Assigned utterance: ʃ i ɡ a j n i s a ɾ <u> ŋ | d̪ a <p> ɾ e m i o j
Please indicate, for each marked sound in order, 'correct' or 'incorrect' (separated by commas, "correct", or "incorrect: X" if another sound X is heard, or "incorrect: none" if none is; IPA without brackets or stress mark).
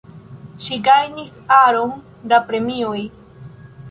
incorrect: o, correct